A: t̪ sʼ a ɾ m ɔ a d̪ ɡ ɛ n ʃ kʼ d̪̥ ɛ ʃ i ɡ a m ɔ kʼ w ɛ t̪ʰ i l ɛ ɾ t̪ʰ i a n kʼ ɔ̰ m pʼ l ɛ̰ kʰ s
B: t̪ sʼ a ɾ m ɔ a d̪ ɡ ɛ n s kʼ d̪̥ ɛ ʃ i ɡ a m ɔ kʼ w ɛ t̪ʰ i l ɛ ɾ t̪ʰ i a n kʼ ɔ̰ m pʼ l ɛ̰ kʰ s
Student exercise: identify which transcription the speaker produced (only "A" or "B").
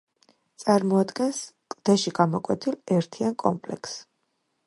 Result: B